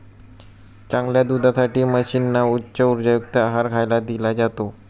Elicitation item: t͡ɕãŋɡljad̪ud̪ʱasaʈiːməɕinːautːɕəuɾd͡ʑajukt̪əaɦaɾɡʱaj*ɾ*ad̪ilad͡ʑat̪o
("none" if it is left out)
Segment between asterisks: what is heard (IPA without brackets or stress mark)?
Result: l